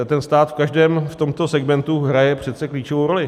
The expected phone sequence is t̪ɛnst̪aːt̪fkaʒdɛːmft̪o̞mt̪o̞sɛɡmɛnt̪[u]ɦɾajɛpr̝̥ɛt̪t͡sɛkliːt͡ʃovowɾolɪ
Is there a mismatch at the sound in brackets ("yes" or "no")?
no